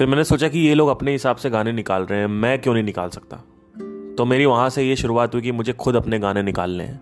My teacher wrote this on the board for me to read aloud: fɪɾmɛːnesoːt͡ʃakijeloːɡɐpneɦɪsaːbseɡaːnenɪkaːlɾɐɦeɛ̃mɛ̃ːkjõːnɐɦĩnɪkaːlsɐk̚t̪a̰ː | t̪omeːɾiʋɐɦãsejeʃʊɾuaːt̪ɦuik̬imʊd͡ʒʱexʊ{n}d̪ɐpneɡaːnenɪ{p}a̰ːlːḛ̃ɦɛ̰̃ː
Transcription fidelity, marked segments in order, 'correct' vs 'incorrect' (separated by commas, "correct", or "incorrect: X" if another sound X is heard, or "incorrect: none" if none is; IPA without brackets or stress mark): incorrect: none, incorrect: k